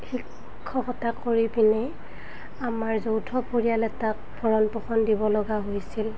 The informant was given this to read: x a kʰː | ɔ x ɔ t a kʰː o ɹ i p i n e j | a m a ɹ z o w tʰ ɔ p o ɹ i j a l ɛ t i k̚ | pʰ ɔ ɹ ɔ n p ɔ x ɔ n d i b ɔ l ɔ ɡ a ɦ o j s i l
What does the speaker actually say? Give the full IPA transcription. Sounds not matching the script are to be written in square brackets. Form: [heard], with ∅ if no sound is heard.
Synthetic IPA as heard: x [i] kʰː | ɔ x ɔ t a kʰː o ɹ i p i n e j | a m a ɹ z o w tʰ ɔ p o ɹ i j a l ɛ t [a] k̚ | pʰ ɔ ɹ ɔ n p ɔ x ɔ n d i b ɔ l ɔ ɡ a ɦ o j s i l